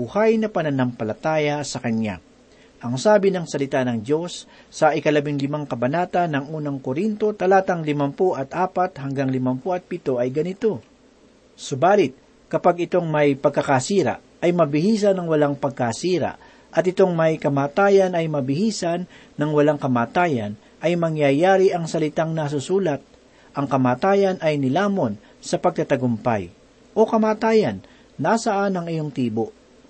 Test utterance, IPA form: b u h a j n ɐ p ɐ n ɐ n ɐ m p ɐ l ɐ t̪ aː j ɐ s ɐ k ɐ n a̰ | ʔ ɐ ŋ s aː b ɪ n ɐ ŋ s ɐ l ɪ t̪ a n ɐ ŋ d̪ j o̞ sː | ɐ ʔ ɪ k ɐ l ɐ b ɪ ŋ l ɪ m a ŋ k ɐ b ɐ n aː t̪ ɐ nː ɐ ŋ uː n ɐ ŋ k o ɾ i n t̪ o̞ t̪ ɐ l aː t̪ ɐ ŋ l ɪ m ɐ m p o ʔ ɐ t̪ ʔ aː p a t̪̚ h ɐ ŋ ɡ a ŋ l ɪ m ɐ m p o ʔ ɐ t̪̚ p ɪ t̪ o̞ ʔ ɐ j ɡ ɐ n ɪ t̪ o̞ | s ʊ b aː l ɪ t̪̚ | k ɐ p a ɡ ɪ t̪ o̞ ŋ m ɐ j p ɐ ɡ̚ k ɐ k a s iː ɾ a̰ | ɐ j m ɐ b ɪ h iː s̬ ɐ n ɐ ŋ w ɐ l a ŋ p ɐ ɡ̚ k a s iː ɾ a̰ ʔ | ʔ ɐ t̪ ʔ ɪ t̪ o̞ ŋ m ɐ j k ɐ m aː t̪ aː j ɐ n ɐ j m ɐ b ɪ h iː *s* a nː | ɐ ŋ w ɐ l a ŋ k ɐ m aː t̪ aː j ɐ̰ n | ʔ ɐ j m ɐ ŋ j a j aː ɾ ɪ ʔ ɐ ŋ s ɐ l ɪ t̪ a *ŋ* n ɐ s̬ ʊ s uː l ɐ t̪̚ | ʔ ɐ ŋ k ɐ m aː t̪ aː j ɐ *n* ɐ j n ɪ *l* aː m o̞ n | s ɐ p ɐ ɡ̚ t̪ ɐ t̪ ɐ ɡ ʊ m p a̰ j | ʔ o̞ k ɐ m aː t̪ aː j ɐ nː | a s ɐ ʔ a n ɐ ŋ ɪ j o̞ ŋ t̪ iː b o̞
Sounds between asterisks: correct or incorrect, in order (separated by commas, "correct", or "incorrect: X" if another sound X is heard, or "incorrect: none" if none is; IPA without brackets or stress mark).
correct, correct, correct, correct